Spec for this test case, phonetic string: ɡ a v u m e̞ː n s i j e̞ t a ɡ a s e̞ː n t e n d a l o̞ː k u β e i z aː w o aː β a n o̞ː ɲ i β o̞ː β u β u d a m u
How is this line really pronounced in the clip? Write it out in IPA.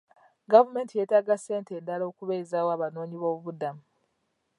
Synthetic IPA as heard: ɡ a v u m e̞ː n t i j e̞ t a ɡ a s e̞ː n t e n d a l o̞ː k u β e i z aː w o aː β a n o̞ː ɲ i β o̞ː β u β u d a m u